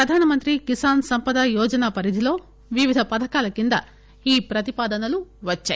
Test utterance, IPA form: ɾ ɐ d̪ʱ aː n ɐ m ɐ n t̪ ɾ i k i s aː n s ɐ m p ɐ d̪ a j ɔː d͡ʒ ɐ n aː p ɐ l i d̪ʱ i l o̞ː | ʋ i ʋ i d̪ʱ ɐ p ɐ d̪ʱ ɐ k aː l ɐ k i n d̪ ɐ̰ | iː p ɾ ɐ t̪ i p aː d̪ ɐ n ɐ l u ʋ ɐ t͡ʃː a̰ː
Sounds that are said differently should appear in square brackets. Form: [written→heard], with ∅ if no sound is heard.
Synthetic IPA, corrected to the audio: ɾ ɐ d̪ʱ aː n ɐ m ɐ n t̪ ɾ i k i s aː n s ɐ m p ɐ d̪ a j ɔː d͡ʒ ɐ n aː p ɐ [l→ɾ] i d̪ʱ i l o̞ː | ʋ i ʋ i d̪ʱ ɐ p ɐ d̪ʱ ɐ k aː l ɐ k i n d̪ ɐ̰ | iː p ɾ ɐ t̪ i p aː d̪ ɐ n ɐ l u ʋ ɐ t͡ʃː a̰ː